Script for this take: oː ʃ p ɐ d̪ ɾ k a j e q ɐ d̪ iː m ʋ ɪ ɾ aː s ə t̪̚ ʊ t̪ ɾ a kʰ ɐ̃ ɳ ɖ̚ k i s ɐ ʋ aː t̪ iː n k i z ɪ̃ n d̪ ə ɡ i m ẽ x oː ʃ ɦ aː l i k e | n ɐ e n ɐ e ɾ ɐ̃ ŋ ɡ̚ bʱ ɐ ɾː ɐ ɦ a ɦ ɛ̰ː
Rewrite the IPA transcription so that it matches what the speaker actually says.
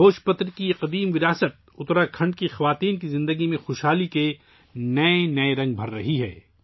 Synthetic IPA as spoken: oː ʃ p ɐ t̪ ɾ k i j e q ɐ d̪ iː m ʋ ɪ ɾ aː s ə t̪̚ ʊ t̪ ɾ a kʰ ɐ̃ ɳ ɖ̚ k i x ɐ ʋ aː t̪ iː n k i z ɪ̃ n d̪ ə ɡ i m ẽ x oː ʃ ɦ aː l i k e | n ɐ e n ɐ e ɾ ɐ̃ ŋ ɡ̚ bʱ ɐ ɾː ɐ ɦ i ɦ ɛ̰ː